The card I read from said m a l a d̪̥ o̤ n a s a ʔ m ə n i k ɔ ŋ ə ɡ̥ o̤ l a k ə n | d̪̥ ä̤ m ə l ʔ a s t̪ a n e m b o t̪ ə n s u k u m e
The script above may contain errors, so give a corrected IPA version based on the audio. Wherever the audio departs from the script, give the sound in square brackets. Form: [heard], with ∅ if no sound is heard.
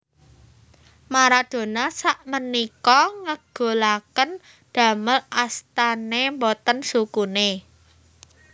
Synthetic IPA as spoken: m a [ɾ] a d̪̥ o̤ n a s a ʔ m ə n i k ɔ ŋ ə ɡ̥ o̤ l a k ə n | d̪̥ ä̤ m ə l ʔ a s t̪ a n e m b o t̪ ə n s u k u [n] e

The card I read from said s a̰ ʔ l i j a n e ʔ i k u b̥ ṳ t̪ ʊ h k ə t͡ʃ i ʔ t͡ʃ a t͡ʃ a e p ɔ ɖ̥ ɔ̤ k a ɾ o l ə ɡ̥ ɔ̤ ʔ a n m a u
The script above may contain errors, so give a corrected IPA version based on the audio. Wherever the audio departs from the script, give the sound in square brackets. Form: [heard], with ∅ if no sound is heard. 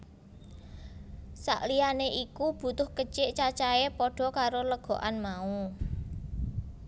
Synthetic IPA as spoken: s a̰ ʔ l i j a n e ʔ i k u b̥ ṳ t̪ ʊ h k ə t͡ʃ [ɪ] ʔ t͡ʃ a t͡ʃ a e p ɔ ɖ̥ ɔ̤ k a ɾ o l ə ɡ̥ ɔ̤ ʔ a n m a u

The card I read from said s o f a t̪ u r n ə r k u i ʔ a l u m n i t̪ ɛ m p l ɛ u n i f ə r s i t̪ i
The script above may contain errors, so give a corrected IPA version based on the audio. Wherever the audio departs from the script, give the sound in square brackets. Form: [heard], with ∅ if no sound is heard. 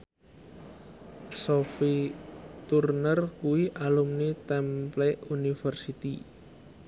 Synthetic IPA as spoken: s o f [i] t̪ u r n ə r k u i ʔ a l u m n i t̪ ɛ m p l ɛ u n i f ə r s i t̪ i

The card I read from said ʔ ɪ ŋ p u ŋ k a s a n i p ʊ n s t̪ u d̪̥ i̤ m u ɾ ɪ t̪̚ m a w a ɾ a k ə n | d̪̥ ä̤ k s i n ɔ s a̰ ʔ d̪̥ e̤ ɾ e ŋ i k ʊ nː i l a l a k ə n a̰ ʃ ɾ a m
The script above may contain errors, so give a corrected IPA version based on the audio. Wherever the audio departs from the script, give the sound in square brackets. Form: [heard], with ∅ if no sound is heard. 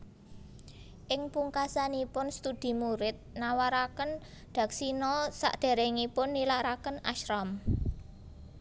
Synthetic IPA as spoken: ʔ ɪ ŋ p u ŋ k a s a n i p ʊ n s t̪ u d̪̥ i̤ m u ɾ ɪ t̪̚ [n] a w a ɾ a k ə n | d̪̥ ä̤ k s i n ɔ s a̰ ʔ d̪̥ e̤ ɾ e ŋ i [p] ʊ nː i l a [ɾ] a k ə n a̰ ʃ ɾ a m

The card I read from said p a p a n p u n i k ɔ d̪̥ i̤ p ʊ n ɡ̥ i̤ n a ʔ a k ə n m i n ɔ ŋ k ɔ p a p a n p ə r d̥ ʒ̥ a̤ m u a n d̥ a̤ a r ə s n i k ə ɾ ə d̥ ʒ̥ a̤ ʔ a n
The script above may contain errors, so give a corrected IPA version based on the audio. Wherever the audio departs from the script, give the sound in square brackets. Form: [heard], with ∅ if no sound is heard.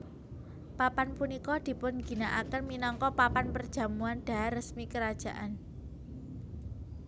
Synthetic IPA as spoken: p a p a n p u n i k ɔ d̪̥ i̤ p ʊ n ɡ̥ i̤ n a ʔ a k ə n m i n ɔ ŋ k ɔ p a p a n p ə r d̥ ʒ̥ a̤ m u a n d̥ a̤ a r ə s [m] i k ə ɾ [a] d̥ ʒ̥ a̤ ʔ a n

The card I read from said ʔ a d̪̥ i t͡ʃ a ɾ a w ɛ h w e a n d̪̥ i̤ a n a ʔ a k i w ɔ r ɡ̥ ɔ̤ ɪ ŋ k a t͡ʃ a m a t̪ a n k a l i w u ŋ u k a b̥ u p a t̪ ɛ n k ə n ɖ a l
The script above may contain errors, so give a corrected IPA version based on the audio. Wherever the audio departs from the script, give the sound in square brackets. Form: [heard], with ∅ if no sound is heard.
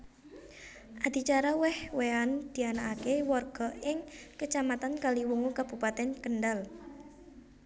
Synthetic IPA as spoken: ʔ a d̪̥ i t͡ʃ a ɾ a w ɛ h w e a n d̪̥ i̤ a n a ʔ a k [e] w ɔ r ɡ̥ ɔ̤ ɪ ŋ k [ə] t͡ʃ a m a t̪ a n k a l i w u ŋ u k a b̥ u p a t̪ ɛ n k ə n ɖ a l

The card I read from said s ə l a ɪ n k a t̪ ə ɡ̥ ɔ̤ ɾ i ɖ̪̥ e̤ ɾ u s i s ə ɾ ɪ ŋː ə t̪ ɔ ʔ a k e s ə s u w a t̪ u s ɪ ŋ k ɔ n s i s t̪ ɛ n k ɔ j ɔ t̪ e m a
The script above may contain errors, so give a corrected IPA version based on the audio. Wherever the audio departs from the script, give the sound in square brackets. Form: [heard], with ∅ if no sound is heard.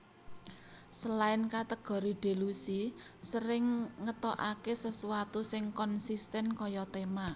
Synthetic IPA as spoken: s ə l a ɪ n k a t̪ ə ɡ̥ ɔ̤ ɾ i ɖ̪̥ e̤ [l] u s i s ə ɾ ɪ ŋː ə t̪ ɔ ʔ a k e s ə s u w a t̪ u s ɪ ŋ k ɔ n s i s t̪ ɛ n k ɔ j ɔ t̪ e m a

